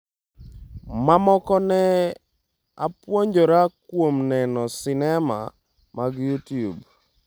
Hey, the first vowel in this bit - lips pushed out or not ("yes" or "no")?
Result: no